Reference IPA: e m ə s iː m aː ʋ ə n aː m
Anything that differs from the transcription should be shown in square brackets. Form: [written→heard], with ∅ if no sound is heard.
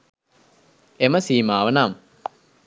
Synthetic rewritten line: e m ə s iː m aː ʋ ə n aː m